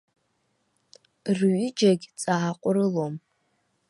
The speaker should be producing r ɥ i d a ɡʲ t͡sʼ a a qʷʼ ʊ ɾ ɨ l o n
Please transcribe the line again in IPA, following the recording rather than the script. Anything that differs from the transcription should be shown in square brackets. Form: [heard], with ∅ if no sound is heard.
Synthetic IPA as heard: r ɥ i [d͡ʒ] a ɡʲ t͡sʼ a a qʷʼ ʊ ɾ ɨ l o [m]